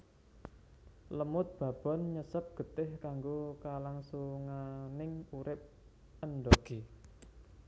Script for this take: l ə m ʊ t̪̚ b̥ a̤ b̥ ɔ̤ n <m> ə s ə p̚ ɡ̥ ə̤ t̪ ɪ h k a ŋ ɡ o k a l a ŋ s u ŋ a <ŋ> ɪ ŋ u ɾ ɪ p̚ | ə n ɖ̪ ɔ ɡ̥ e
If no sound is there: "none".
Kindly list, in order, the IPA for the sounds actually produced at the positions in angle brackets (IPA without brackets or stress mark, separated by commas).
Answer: ɲ, n